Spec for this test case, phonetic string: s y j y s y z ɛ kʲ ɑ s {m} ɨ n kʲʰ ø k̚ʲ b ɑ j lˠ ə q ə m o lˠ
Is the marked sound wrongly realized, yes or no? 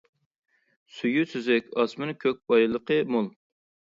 no